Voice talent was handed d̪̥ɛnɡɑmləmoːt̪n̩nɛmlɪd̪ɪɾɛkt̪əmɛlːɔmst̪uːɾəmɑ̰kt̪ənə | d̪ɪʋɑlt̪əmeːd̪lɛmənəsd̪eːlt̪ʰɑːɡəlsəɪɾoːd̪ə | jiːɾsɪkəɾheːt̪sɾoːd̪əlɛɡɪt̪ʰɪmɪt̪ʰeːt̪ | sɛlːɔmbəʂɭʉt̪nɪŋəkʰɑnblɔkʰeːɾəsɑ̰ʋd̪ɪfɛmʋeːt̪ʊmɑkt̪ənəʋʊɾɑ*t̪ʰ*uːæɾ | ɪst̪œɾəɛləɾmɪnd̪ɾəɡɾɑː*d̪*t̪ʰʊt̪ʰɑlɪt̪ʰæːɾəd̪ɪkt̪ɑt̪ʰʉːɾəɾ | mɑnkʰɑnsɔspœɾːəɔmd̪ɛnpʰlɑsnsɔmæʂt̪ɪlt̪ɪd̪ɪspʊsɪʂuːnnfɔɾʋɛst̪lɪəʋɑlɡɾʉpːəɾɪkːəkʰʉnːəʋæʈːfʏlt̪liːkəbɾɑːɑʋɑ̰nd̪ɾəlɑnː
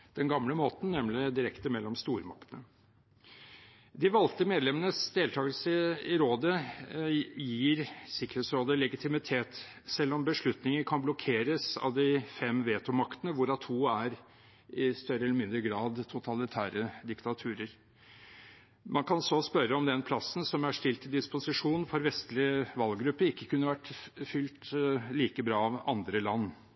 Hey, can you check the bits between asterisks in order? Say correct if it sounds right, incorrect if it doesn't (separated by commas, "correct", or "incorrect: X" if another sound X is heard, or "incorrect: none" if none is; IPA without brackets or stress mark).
correct, correct